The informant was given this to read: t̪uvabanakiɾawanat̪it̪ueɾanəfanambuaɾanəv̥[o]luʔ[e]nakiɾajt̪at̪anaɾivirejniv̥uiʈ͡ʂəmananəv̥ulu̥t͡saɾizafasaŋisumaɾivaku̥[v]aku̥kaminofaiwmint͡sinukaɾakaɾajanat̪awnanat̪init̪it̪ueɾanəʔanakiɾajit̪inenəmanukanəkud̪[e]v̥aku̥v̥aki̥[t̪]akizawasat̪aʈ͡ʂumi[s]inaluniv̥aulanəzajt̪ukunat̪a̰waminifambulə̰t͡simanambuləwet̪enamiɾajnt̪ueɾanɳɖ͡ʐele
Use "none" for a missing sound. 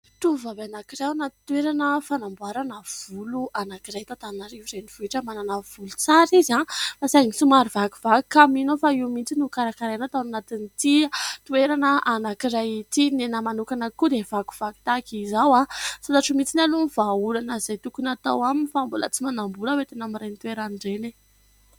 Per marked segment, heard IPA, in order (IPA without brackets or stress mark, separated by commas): u, a, v, e, t̪, t͡s